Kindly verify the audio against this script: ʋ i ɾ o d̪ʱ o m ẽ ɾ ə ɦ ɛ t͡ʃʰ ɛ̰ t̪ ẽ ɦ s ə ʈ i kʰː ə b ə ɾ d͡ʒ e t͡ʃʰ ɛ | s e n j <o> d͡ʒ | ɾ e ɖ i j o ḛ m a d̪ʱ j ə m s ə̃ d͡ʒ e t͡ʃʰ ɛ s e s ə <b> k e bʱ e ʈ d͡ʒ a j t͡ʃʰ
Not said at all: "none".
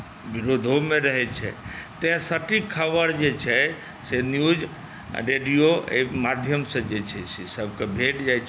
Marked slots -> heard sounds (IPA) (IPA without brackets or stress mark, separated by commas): u, b